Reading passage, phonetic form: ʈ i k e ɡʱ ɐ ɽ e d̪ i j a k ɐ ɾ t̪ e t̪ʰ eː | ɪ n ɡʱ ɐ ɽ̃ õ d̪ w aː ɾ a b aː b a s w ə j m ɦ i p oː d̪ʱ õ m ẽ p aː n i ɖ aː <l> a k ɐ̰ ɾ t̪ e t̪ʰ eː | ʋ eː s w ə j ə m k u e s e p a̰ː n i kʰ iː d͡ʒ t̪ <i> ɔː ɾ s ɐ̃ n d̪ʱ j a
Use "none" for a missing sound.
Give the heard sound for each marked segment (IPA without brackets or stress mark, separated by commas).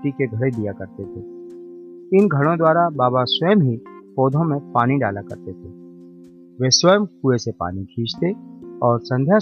l, e